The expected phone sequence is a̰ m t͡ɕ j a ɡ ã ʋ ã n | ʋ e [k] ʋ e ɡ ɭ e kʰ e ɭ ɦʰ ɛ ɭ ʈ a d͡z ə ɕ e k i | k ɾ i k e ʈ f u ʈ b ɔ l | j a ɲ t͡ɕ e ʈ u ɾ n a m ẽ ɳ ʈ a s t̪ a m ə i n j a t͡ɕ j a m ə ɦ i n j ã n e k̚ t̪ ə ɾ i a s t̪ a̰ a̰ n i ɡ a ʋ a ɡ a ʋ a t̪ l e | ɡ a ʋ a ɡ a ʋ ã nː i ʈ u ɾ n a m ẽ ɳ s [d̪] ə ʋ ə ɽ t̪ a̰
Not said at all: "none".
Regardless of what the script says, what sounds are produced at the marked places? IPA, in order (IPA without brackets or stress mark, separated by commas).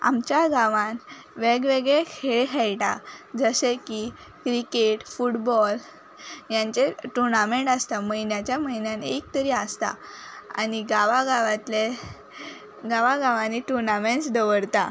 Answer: ɡ, d̪